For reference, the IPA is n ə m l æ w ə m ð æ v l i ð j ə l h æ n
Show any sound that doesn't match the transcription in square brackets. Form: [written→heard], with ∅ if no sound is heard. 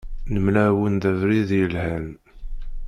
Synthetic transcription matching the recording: n ə m l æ w ə [m→n] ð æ v [l→ɾ] i ð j ə l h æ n